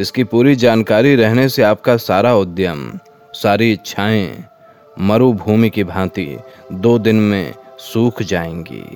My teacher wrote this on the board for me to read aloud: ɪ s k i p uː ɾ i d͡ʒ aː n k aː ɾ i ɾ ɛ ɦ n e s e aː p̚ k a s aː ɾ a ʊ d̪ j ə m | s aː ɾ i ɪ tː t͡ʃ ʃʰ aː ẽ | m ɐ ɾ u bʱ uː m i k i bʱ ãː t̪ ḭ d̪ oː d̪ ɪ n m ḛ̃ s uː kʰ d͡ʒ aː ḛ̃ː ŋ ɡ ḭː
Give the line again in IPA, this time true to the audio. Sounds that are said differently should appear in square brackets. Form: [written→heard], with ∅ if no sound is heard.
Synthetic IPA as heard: ɪ s k i p uː ɾ i d͡ʒ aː n k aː ɾ i ɾ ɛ ɦ n e s e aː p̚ k a s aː ɾ a ʊ d̪ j ə m | s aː ɾ i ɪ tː t͡ʃ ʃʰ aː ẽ | m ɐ ɾ u bʱ uː m i k i bʱ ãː t̪ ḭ d̪ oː d̪ ɪ n m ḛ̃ s uː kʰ d͡ʒ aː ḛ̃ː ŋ ɡ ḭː